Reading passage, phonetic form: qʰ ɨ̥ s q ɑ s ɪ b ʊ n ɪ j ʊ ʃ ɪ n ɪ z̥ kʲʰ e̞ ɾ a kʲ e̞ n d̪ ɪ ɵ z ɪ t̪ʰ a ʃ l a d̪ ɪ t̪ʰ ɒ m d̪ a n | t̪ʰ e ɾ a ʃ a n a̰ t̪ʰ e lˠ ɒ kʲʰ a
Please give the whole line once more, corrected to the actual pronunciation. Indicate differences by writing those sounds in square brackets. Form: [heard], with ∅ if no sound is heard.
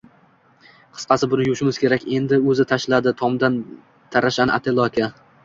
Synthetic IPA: qʰ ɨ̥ s q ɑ s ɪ b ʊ n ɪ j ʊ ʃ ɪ [m] ɪ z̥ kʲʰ e̞ ɾ a kʲ e̞ n d̪ ɪ ɵ z ɪ t̪ʰ a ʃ l a d̪ ɪ t̪ʰ ɒ m d̪ a n | t̪ʰ [a] ɾ a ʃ a n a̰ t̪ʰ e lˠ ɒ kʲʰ a